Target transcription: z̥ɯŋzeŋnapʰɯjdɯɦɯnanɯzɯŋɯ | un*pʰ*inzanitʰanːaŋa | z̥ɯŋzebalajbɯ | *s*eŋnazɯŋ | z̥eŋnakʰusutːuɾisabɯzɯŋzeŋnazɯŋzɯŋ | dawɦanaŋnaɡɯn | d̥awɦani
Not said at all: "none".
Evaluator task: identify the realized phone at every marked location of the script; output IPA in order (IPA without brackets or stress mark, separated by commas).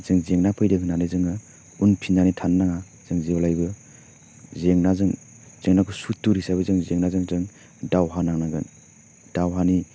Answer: pʰ, z